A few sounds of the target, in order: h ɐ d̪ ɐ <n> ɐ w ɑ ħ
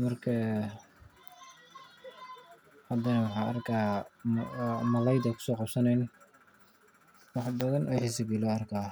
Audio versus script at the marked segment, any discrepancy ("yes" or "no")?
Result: no